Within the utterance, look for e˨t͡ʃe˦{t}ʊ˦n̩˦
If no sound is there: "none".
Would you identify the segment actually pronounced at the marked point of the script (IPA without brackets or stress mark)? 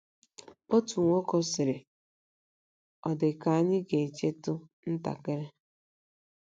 t